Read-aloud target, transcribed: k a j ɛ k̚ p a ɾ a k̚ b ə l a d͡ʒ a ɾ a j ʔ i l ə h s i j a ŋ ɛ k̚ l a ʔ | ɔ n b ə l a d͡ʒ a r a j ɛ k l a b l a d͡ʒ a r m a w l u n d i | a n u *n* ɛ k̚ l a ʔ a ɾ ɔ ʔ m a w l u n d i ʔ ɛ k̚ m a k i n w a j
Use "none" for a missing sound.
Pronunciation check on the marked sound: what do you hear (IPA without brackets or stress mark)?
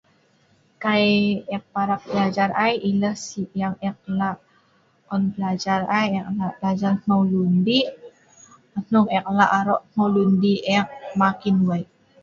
ŋ